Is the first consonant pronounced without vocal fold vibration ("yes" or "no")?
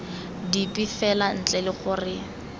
no